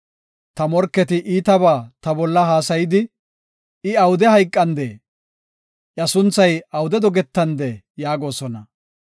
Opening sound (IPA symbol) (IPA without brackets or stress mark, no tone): t̪